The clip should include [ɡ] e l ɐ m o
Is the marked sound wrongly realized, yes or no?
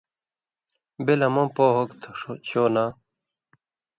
yes